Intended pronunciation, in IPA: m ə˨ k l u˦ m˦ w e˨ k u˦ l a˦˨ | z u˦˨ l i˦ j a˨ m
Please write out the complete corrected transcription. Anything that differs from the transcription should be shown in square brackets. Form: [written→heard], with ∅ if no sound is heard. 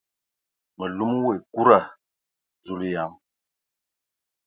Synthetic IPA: m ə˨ [k→∅] l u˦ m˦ w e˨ k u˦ [l→ɾ] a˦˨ | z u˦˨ l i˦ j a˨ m